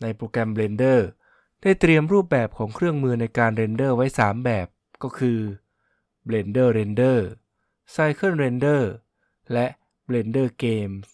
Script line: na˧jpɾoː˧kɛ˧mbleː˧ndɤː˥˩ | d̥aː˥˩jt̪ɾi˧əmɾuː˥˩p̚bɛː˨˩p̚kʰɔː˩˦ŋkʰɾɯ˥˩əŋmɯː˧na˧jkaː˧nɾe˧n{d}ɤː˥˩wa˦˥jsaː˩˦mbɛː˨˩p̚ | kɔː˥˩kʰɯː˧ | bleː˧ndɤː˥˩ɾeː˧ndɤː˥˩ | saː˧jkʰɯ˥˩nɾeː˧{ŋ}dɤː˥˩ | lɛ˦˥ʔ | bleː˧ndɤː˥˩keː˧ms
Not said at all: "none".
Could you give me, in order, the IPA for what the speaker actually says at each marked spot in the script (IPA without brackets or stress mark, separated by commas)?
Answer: d, n